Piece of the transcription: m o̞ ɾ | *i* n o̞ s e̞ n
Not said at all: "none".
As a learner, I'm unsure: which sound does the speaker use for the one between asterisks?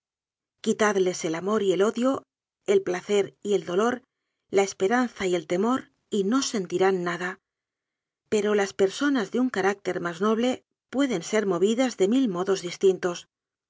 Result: i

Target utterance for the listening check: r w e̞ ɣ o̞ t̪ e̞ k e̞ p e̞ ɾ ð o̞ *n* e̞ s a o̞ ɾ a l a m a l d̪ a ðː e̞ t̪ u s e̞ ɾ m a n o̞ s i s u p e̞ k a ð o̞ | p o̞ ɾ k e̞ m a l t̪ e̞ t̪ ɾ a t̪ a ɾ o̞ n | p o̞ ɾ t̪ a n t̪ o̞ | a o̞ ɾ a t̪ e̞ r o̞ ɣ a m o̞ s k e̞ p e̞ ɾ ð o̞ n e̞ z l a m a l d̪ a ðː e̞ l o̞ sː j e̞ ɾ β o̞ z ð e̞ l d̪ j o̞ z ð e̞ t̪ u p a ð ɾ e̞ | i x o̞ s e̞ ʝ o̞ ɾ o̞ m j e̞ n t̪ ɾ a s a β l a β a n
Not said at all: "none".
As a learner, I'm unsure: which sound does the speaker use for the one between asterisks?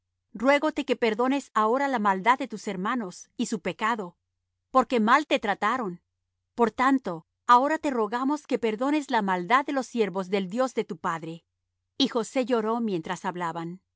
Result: n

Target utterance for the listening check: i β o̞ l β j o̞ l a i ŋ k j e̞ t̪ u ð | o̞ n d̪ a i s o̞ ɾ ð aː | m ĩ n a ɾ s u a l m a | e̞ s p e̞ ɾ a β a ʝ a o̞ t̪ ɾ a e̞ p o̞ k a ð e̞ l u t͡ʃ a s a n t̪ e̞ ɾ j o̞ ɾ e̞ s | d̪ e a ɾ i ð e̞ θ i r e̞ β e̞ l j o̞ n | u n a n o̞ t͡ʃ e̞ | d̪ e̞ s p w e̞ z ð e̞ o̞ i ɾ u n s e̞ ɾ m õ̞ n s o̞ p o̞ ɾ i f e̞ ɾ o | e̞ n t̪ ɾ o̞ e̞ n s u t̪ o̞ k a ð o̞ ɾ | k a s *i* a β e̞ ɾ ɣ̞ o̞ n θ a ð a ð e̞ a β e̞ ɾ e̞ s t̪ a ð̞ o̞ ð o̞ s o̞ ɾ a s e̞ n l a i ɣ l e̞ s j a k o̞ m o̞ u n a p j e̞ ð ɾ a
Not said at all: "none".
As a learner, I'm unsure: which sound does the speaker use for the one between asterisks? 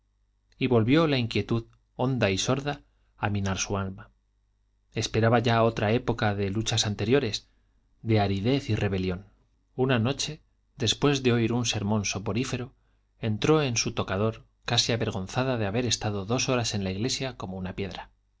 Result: i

